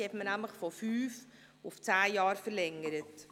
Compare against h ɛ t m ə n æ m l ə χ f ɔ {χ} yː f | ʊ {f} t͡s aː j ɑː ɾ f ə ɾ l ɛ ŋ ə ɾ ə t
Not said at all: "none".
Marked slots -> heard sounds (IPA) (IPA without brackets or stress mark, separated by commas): f, f